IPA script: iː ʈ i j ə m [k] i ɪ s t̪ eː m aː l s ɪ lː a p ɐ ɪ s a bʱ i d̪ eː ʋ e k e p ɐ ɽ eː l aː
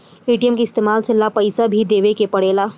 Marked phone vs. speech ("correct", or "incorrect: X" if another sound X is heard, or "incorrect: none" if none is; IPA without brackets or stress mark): correct